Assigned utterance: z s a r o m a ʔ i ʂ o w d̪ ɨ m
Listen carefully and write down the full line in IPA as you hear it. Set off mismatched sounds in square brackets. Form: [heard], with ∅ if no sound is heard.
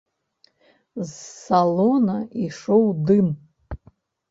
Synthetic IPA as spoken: z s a [l] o [n] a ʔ i ʂ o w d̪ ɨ m

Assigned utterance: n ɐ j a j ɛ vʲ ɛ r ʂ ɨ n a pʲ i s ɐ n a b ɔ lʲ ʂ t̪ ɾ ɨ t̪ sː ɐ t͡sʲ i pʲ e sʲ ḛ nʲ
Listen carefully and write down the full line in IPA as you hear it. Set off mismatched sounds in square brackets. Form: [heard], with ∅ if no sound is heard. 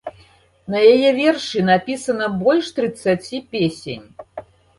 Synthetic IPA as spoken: n ɐ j a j ɛ vʲ ɛ r ʂ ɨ n a pʲ i s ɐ n [ɐ] b ɔ lʲ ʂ t̪ ɾ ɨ t̪ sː [a] t͡sʲ i pʲ e sʲ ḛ nʲ

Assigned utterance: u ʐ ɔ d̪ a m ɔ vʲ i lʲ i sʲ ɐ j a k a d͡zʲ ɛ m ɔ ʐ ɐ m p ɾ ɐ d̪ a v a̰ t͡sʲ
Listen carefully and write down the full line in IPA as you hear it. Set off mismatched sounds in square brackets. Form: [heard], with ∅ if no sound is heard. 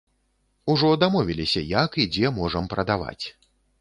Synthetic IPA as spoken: u ʐ ɔ d̪ a m ɔ vʲ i lʲ i sʲ ɐ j a k [i] d͡zʲ ɛ m ɔ ʐ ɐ m p ɾ ɐ d̪ a v a̰ t͡sʲ

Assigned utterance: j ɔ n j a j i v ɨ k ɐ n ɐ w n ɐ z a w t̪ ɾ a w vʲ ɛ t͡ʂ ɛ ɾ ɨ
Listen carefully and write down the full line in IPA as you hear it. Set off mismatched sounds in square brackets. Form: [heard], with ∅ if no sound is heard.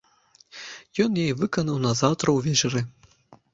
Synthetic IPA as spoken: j ɔ n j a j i v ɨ k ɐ n ɐ w n ɐ z a w t̪ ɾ [ɐ] w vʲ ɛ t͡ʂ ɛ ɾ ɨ

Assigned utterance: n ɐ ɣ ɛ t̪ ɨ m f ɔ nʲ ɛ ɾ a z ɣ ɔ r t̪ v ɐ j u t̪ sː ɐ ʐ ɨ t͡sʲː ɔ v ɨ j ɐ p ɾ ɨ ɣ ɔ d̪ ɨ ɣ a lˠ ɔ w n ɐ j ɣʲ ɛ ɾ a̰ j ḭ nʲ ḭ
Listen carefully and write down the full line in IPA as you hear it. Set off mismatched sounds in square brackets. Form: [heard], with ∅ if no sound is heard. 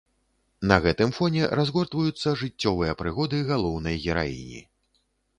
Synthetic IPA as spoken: n ɐ ɣ ɛ t̪ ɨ m f ɔ nʲ ɛ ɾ a z ɣ ɔ r t̪ v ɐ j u t̪ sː ɐ ʐ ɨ t͡sʲː ɔ v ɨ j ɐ p ɾ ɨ ɣ ɔ d̪ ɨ ɣ a lˠ ɔ w n ɐ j ɣʲ ɛ ɾ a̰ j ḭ nʲ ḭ

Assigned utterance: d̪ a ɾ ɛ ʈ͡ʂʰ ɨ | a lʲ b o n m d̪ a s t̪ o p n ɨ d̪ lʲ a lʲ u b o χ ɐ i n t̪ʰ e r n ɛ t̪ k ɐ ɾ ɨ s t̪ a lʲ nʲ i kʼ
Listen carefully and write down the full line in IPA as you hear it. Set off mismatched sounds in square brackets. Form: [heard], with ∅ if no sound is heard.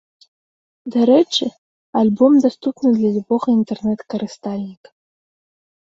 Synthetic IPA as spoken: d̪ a ɾ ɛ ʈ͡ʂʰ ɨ | a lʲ b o [∅] m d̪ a s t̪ [u] p n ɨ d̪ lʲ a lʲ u b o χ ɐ i n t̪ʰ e r n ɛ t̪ k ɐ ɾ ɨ s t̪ a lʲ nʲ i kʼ

